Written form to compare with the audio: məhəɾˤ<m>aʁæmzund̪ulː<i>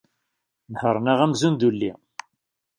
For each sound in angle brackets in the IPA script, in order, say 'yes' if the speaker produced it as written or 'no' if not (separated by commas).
no, yes